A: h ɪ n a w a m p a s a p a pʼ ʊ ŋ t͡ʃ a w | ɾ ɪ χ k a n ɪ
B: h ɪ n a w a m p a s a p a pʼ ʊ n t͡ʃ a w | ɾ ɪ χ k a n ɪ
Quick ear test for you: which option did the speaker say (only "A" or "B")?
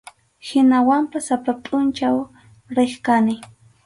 B